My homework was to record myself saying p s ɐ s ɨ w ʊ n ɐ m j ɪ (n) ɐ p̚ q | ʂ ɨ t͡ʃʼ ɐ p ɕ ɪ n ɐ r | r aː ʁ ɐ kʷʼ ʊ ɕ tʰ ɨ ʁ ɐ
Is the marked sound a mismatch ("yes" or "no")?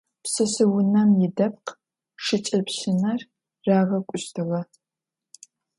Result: yes